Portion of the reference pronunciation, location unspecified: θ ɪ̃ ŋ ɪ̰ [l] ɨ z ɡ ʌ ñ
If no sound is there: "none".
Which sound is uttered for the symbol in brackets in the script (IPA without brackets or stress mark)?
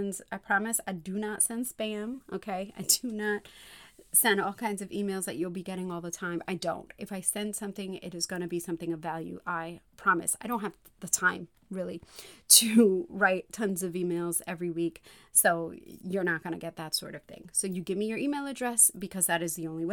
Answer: ɾ